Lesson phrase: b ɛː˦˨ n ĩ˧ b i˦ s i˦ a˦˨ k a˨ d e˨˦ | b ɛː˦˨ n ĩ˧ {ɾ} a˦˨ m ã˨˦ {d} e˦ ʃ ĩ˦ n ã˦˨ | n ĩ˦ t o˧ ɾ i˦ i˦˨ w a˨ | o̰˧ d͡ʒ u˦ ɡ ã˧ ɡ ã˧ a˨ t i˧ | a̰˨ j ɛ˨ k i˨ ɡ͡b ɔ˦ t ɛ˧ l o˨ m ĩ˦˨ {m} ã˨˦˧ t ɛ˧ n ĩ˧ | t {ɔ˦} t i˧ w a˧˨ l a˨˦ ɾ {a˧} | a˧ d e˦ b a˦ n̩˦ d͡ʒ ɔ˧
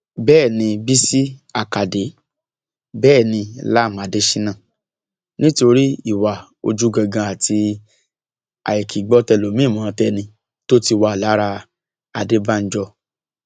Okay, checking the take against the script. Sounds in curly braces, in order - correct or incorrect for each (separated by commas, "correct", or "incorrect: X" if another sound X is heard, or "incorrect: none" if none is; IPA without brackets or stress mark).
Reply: incorrect: l, correct, correct, incorrect: o˦, correct